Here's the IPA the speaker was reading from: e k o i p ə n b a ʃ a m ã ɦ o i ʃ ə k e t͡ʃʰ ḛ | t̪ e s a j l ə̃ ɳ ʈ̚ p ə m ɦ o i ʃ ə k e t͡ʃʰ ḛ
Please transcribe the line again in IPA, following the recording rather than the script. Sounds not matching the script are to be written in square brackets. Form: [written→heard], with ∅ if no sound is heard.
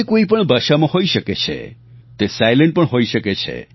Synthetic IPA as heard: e k o i p ə [n→ɳ] b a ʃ a m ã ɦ o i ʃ ə k e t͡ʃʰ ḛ | t̪ e s a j l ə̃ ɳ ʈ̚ p ə [m→ɳ] ɦ o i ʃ ə k e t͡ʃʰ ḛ